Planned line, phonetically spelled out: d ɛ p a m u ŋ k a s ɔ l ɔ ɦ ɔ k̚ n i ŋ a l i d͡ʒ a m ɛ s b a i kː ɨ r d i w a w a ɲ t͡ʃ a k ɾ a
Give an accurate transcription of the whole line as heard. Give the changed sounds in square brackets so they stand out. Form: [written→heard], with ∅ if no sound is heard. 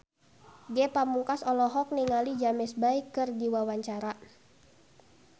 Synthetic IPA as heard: [d→ɡ] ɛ p a m u ŋ k a s ɔ l ɔ ɦ ɔ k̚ n i ŋ a l i d͡ʒ a m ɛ s b a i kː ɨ r d i w a w a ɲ t͡ʃ a [k→∅] ɾ a